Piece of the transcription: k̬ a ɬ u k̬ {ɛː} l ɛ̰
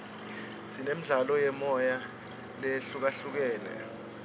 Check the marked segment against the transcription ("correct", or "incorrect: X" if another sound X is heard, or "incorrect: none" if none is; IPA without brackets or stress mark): correct